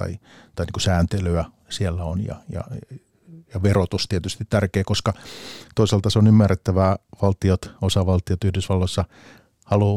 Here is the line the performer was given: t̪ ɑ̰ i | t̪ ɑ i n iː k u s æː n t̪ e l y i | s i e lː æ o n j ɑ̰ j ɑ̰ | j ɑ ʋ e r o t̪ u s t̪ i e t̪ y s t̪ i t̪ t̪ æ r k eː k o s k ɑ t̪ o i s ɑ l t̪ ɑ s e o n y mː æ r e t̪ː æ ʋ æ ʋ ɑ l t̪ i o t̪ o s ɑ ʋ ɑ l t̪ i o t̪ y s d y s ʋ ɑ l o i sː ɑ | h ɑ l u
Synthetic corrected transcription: t̪ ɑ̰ i | t̪ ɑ i n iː k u s æː n t̪ e l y æ | s i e lː æ o n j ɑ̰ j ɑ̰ | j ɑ ʋ e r o t̪ u s t̪ i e t̪ y s t̪ i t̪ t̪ æ r k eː k o s k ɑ t̪ o i s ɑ l t̪ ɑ s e o n y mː æ r e t̪ː æ ʋ æ ʋ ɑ l t̪ i o t̪ o s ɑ ʋ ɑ l t̪ i o t̪ y h d y s ʋ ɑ lː o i sː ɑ | h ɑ l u